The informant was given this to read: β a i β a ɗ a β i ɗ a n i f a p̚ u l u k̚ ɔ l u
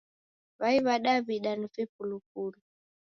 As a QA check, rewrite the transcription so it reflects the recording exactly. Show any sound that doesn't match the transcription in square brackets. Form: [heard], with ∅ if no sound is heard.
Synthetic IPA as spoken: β a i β a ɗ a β i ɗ a n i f [i] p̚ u l u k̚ [u] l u